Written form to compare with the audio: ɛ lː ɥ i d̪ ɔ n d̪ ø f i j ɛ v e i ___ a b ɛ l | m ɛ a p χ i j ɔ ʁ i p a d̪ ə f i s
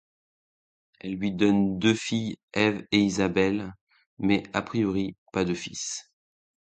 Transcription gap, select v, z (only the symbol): z